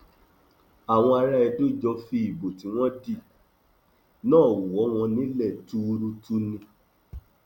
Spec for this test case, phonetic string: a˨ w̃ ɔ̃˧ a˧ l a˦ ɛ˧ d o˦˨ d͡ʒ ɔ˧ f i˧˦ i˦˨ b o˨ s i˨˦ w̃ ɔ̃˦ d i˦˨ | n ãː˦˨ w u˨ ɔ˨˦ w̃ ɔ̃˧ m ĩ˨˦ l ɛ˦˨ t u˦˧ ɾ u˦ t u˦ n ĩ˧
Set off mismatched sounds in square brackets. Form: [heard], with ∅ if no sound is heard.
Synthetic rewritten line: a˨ w̃ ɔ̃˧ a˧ [ɾ] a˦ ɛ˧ d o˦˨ d͡ʒ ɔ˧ f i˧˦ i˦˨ b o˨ [t] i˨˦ w̃ ɔ̃˦ d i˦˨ | n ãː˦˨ w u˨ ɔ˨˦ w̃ ɔ̃˧ [n] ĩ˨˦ l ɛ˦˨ t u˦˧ ɾ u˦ t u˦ n ĩ˧